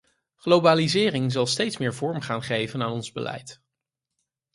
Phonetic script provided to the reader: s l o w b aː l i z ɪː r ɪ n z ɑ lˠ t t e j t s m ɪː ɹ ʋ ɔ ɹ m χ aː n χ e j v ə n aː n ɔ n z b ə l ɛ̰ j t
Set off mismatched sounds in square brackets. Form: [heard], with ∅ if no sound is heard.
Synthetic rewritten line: [χ] l o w b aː l i z ɪː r ɪ [ŋ] z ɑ lˠ [s] t e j t s m ɪː ɹ [v] ɔ ɹ m χ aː n χ e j v ə n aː n ɔ n z b ə l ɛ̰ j t